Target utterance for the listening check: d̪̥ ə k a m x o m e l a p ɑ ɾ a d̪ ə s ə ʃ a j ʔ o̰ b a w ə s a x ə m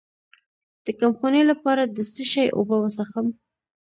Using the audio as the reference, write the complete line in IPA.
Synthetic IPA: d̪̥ ə k a m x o n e l a p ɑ ɾ a d̪ ə s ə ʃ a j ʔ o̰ b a w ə s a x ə m